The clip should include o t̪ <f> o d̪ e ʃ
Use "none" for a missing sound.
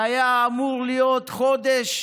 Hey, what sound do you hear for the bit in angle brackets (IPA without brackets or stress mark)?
χ